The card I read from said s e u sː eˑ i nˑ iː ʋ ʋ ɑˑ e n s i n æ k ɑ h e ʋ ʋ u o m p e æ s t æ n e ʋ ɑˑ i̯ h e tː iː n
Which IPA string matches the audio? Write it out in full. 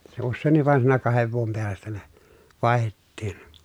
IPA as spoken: s e u sː eˑ i nˑ i ʋ ʋ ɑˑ e n s iː n æ k ɑ h e ʋ ʋ u o m p e æ s t æ n e ʋ ɑˑ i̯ h e tː iː n